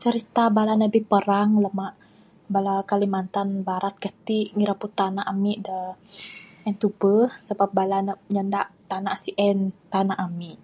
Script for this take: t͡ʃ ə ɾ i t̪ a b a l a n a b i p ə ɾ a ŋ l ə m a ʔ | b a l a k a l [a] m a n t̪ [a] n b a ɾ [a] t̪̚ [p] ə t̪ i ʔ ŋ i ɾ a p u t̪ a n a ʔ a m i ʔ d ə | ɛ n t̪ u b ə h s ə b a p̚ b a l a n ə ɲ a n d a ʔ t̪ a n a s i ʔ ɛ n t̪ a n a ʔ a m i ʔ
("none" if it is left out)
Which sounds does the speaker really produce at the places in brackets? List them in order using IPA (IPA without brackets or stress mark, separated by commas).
i, a, a, k